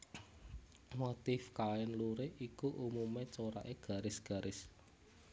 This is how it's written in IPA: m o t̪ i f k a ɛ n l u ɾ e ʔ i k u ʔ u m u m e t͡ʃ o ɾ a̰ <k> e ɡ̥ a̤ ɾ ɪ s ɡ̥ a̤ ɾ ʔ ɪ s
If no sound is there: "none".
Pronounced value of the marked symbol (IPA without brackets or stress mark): ʔ